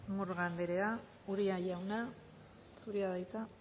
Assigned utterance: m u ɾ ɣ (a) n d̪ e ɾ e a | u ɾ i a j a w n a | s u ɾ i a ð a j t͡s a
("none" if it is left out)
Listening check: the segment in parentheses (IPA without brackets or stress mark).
a